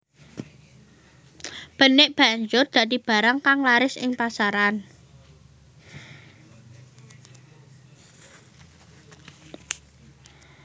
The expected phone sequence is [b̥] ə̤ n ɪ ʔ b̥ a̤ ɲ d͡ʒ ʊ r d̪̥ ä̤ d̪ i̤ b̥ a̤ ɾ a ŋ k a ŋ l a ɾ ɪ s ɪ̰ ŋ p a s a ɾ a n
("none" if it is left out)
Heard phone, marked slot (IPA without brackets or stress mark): b̥